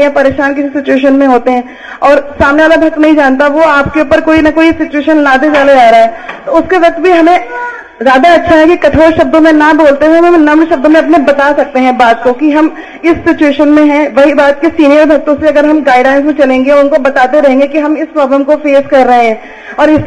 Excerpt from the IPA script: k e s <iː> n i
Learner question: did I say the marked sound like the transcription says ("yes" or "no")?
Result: yes